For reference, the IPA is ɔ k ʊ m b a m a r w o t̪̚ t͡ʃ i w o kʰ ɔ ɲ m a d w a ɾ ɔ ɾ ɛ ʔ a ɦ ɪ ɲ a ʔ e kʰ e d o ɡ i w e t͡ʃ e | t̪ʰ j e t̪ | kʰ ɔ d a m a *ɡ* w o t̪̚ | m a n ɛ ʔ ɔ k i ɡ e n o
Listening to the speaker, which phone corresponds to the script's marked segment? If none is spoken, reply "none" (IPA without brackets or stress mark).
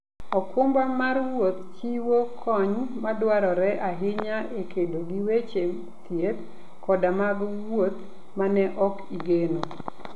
ɡ